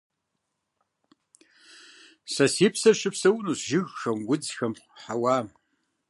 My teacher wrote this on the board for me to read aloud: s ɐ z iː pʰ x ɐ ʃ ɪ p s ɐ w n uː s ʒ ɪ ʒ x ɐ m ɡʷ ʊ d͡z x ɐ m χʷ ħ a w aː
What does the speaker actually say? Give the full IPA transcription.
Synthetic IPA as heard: s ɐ s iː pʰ s ɐ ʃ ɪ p s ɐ w n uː s ʒ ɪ ɣ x ɐ m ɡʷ ʊ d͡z x ɐ m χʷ ħ a w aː